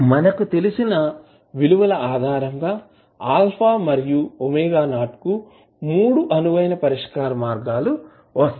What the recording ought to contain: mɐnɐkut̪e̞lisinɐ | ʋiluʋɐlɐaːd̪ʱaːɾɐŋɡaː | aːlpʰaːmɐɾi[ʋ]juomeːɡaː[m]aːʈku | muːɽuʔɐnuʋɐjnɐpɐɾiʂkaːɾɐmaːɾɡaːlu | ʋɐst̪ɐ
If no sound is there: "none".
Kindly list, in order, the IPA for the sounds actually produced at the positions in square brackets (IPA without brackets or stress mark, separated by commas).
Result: none, n